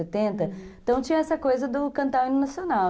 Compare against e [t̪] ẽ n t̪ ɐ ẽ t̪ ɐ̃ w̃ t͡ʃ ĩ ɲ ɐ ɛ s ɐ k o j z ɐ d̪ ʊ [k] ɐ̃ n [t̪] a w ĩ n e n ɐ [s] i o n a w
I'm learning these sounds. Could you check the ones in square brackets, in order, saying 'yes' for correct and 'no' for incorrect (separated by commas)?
yes, yes, yes, yes